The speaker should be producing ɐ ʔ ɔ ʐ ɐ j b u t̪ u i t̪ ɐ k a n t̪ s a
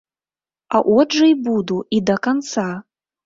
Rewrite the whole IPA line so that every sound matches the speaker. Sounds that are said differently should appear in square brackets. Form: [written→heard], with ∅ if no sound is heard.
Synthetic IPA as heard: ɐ ʔ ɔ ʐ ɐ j b u [t̪→d̪] u i [t̪→d̪] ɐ k a n t̪ s a